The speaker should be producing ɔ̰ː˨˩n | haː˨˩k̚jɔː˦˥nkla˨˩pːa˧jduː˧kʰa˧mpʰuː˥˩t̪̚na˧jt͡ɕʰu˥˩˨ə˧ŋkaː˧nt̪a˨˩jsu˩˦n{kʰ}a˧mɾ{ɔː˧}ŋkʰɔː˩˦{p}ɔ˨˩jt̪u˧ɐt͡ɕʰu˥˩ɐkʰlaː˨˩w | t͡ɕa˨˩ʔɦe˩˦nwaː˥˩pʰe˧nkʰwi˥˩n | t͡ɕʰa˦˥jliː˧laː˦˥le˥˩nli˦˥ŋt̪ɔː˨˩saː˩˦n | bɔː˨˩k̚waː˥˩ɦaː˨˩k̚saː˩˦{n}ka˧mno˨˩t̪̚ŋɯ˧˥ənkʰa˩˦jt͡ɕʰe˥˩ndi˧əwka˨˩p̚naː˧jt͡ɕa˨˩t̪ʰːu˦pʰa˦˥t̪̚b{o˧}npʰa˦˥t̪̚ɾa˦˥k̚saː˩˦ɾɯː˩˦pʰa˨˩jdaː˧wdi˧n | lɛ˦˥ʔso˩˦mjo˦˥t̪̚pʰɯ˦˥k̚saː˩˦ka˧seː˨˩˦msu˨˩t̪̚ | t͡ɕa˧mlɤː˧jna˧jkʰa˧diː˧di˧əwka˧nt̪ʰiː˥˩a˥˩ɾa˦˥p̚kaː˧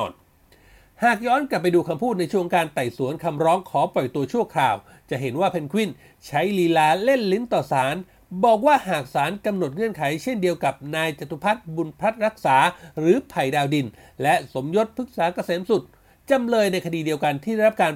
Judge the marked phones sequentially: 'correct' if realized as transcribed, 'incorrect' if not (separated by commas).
correct, incorrect, correct, correct, incorrect